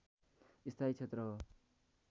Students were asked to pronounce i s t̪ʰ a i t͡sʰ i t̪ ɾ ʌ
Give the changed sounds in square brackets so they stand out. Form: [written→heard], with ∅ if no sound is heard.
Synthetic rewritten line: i s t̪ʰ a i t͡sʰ [i→e] t̪ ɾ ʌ

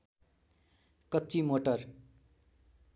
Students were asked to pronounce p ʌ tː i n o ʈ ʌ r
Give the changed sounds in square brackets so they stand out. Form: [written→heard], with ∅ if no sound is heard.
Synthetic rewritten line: [p→k] ʌ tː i [n→m] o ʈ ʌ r

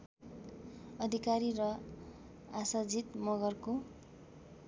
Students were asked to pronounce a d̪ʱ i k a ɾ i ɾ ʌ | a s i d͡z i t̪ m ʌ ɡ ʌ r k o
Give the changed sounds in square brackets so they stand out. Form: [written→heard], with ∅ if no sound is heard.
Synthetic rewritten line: [a→ʌ] d̪ʱ i k a ɾ i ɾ ʌ | a s [i→a] d͡z i t̪ m ʌ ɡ ʌ r k o

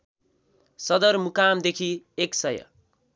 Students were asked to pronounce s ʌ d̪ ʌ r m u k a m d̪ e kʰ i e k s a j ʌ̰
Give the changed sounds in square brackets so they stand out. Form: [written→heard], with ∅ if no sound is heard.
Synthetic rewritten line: s ʌ d̪ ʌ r m u k a m d̪ e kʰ i e k s [a→ʌ] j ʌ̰

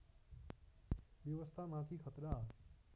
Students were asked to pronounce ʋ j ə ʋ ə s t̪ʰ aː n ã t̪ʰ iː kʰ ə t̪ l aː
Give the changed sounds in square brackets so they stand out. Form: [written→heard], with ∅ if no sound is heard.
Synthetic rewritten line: ʋ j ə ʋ ə s t̪ʰ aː [n→m] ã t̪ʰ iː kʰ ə t̪ [l→ɾ] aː

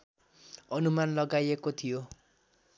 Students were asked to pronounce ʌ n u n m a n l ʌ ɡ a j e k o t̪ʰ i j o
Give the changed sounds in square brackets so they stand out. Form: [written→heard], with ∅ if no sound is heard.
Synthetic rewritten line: ʌ n u [n→∅] m a n l ʌ ɡ a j e k o t̪ʰ i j o

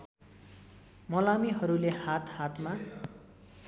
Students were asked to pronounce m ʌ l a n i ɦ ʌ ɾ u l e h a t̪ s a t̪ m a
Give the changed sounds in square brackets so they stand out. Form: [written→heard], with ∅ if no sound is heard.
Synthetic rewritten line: m ʌ l a [n→m] i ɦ ʌ ɾ u l e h a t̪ [s→h] a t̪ m a

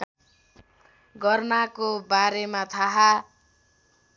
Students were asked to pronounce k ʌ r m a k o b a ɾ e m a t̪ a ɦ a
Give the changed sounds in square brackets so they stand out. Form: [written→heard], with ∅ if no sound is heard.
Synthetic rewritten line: [k→ɡ] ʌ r [m→n] a k o b a ɾ e m a [t̪→t̪ʰ] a ɦ a

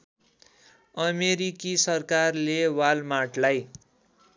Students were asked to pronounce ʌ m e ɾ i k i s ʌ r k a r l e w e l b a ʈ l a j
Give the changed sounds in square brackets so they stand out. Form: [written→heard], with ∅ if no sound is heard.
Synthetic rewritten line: ʌ m e ɾ i k i s ʌ r k a r l e w [e→a] l [b→m] a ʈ l a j

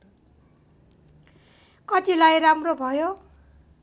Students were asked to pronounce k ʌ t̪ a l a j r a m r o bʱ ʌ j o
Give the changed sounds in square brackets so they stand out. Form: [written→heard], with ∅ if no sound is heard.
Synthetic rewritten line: k ʌ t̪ [a→i] l a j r a m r o bʱ ʌ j o

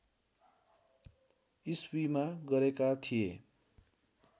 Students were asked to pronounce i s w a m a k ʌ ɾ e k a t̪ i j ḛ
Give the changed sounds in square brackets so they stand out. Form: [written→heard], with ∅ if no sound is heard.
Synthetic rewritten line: i s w [a→i] m a [k→ɡ] ʌ ɾ e k a [t̪→t̪ʰ] i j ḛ

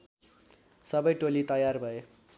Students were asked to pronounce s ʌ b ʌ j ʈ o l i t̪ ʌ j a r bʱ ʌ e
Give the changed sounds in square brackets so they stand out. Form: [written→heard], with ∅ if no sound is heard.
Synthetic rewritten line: s ʌ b ʌ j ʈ o l i t̪ ʌ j a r bʱ ʌ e

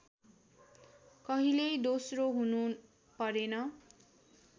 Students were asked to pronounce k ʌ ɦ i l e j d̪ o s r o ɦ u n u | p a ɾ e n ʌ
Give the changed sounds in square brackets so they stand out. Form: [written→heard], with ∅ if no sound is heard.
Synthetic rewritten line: k ʌ ɦ i l e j d̪ o s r o ɦ u n u | p [a→ʌ] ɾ e n ʌ

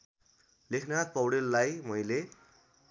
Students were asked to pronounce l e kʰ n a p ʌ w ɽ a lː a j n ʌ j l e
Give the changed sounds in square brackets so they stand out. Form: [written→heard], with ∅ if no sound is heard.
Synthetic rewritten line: l e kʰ n a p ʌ w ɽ [a→e] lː a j [n→m] ʌ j l e

